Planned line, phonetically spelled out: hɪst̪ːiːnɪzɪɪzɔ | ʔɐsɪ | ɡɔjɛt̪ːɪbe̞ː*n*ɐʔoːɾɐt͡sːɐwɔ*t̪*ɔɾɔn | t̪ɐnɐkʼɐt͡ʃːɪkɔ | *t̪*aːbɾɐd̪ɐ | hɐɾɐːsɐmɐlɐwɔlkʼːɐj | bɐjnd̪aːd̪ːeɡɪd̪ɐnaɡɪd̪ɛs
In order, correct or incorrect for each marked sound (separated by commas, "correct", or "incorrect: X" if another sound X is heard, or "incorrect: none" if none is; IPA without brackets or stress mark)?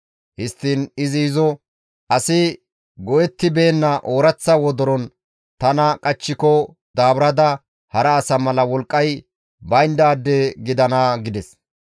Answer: incorrect: nː, incorrect: d̪, incorrect: d̪